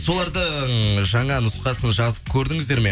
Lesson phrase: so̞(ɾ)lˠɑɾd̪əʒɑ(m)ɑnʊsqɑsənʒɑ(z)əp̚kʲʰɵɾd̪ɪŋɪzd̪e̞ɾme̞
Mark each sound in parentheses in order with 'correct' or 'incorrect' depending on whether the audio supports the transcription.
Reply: incorrect: none, incorrect: ɴ, correct

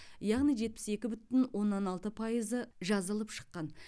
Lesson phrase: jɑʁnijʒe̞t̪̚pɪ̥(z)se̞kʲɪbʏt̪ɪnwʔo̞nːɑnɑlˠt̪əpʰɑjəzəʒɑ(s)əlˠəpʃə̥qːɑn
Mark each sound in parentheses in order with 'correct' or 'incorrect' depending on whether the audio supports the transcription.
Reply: incorrect: none, incorrect: z

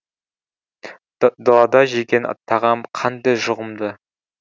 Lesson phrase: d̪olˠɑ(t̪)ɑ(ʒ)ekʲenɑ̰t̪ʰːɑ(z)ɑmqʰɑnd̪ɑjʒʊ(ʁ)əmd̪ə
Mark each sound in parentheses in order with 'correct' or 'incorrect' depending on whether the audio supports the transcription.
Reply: incorrect: d̪, correct, incorrect: ʁ, correct

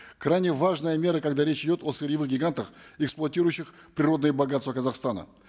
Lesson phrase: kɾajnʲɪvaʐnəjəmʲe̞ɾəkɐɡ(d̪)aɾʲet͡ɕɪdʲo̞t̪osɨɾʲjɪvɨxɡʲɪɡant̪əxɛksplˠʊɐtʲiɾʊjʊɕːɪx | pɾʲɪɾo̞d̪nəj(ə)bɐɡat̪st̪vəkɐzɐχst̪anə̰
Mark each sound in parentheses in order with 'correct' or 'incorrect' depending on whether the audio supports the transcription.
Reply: correct, correct

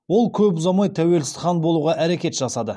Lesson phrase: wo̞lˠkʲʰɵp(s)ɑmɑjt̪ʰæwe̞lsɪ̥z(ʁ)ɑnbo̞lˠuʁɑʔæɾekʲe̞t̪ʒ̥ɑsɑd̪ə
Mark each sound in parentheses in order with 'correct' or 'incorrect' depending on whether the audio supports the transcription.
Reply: incorrect: z, incorrect: χ

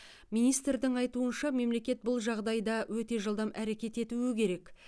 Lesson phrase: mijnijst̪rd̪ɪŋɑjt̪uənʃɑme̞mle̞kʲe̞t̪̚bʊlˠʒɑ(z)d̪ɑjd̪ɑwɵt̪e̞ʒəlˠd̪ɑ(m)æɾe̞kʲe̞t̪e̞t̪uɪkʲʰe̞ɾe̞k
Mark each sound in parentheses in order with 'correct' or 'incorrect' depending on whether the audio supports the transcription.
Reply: incorrect: ʁ, correct

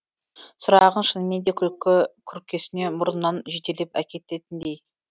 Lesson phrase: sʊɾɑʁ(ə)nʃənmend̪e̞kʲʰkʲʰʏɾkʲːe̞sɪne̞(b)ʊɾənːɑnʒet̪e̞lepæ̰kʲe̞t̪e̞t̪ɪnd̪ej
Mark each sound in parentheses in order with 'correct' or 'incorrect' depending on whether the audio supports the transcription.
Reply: correct, incorrect: m

